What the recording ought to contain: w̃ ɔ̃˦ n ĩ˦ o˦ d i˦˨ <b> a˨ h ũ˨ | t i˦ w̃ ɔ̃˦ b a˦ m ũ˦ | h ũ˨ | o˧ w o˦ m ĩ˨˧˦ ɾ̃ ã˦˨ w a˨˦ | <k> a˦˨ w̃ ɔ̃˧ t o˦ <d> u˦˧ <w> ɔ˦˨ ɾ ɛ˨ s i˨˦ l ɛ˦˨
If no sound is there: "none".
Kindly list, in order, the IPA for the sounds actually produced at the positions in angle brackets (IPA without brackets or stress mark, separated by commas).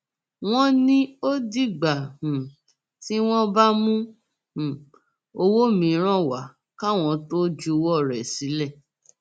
ɡ͡b, k, d͡ʒ, w